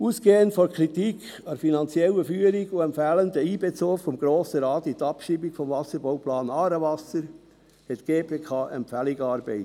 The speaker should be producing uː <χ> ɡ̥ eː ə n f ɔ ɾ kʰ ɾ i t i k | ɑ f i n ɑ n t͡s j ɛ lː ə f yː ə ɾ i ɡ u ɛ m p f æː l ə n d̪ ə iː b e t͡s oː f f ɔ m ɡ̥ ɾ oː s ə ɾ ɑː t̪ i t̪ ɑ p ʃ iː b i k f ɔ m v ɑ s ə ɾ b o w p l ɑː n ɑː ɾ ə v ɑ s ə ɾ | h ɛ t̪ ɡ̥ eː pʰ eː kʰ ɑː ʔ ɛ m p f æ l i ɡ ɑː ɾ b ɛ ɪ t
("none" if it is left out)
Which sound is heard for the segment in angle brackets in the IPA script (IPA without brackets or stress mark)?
s